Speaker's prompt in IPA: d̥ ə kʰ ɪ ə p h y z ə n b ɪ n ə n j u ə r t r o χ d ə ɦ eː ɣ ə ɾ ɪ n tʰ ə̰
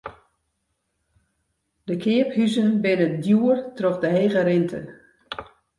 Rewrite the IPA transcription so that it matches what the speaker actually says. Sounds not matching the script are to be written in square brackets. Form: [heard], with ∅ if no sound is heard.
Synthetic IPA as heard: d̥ ə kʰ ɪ ə p h y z ə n b ɪ n ə [d] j u ə r t r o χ d ə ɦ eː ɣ ə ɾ ɪ n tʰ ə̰